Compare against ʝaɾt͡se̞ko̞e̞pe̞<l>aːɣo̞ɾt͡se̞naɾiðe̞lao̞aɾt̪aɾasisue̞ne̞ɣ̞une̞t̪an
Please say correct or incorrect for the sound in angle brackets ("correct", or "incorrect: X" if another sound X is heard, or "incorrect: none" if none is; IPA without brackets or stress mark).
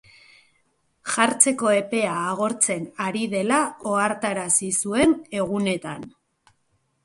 incorrect: none